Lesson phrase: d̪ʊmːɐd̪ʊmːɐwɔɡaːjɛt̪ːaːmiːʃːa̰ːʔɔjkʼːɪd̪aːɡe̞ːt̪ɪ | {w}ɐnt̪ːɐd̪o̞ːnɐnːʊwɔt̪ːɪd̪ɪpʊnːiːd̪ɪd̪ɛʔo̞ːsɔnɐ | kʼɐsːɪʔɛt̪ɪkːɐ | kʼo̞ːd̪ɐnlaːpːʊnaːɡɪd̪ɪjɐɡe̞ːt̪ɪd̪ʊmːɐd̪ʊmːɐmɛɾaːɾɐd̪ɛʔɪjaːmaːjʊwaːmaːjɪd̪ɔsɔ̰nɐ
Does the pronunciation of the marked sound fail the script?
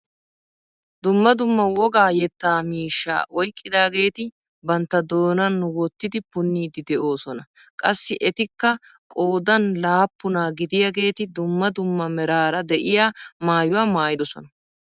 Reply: yes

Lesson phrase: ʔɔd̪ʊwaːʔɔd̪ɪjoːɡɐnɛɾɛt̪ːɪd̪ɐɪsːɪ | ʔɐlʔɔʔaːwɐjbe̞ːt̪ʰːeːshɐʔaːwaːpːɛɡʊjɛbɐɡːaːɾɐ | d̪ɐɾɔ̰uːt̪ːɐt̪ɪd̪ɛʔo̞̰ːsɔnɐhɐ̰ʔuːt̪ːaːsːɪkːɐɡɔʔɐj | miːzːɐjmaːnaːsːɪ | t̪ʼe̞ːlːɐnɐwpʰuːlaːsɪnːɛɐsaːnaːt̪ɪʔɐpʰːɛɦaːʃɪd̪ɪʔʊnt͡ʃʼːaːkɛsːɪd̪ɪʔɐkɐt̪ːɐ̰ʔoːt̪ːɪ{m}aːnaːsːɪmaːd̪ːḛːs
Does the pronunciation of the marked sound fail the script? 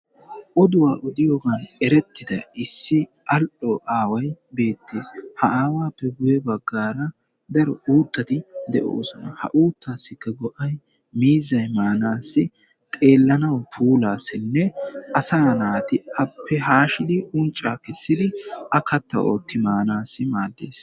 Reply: no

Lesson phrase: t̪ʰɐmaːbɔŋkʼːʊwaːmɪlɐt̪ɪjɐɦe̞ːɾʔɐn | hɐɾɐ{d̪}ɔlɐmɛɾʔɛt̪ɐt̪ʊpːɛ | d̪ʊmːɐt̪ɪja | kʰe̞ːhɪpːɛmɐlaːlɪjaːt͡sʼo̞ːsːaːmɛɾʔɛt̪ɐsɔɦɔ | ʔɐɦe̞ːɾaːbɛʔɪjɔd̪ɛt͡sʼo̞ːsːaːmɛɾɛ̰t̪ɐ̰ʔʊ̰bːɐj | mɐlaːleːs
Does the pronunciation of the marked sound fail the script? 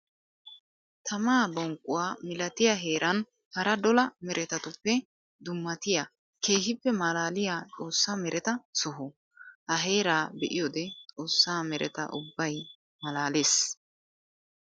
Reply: no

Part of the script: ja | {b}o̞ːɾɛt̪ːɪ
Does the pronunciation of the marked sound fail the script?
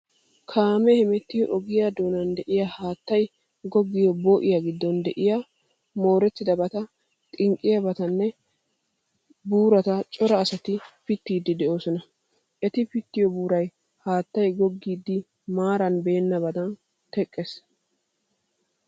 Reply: yes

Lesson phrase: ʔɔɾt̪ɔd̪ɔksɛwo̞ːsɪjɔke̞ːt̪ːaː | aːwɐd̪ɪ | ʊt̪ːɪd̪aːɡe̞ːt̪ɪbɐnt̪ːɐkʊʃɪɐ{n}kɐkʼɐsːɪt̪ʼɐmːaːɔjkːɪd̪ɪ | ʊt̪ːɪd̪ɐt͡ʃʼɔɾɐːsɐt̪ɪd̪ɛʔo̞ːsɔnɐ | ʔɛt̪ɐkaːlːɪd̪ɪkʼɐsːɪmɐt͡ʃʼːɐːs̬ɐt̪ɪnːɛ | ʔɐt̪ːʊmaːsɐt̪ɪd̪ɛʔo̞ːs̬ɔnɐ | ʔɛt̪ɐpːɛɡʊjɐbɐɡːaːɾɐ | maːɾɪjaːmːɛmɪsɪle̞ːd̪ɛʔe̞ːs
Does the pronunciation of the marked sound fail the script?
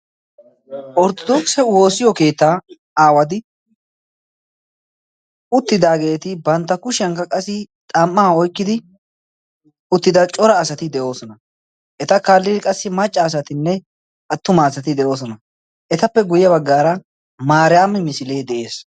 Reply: yes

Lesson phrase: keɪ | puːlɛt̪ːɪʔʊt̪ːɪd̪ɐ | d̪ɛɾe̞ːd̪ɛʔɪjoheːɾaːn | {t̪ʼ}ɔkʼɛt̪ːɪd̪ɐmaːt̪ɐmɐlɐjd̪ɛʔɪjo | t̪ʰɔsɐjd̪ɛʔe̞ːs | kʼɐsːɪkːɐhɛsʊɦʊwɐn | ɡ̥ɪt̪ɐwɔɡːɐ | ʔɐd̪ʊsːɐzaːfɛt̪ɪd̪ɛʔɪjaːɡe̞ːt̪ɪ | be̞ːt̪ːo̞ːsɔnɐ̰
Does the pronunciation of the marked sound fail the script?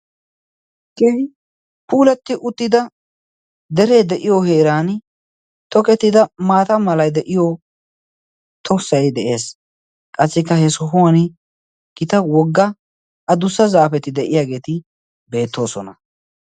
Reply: yes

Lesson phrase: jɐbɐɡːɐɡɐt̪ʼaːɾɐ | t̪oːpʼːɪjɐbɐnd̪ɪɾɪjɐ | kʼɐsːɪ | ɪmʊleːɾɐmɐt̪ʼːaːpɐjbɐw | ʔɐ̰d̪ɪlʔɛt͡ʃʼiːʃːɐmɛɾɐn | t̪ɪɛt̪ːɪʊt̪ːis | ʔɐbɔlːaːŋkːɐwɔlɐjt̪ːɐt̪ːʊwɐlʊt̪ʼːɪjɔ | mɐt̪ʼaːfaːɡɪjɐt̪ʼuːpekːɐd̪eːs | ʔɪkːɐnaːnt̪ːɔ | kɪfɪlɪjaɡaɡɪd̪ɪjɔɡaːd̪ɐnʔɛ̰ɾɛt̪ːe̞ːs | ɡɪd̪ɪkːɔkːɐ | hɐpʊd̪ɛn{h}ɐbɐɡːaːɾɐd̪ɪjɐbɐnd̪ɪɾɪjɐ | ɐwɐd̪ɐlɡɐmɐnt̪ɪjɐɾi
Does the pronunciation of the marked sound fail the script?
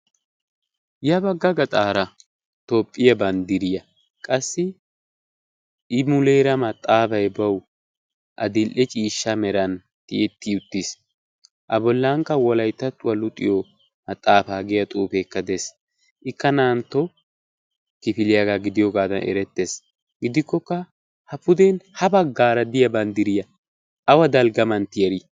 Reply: no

